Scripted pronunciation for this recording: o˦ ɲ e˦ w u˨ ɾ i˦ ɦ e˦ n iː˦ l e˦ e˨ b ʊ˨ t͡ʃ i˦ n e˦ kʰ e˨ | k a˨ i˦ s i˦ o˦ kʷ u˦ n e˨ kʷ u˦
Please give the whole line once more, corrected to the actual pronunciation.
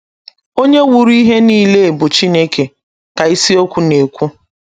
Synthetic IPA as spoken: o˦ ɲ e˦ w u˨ ɾ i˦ ɦ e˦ n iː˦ l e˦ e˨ b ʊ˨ t͡ʃ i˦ n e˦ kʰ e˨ | k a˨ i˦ s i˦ o˦ kʷ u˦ n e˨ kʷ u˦